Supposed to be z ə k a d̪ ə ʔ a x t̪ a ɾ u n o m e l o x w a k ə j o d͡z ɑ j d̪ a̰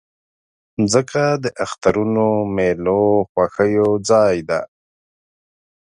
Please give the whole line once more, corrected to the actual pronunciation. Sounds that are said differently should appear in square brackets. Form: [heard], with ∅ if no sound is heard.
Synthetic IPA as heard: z ə k a d̪ ə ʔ a x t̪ a ɾ u n o m e l o x w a [x] ə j o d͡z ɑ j d̪ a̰